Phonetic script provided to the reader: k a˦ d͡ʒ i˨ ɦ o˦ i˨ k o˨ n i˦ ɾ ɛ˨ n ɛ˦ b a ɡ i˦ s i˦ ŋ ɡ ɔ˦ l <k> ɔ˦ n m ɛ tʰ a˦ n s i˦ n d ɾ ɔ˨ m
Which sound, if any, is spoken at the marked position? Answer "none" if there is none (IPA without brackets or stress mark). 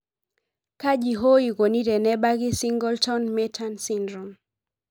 t